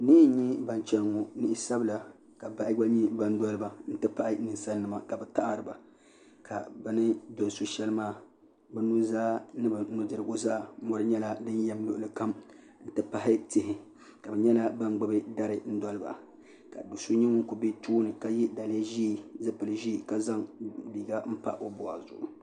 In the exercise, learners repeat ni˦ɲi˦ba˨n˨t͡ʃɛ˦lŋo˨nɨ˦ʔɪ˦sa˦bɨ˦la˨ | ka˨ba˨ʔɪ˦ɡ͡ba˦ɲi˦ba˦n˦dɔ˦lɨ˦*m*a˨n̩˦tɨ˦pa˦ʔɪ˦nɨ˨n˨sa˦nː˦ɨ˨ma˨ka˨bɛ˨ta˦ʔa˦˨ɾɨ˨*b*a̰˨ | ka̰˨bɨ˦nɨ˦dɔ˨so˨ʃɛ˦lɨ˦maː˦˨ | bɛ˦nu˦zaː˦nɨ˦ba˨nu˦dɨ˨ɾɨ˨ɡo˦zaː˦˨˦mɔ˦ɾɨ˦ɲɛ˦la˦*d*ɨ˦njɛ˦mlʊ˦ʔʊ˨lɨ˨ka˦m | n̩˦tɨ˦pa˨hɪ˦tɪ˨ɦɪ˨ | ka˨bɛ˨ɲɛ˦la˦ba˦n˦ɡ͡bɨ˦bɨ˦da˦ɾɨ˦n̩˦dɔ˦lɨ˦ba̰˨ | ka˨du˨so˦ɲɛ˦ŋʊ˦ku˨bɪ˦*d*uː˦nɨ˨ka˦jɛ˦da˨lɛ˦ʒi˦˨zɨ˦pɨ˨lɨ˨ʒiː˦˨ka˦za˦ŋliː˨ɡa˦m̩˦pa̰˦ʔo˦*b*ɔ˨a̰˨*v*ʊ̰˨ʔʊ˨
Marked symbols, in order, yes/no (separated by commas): no, yes, yes, no, yes, no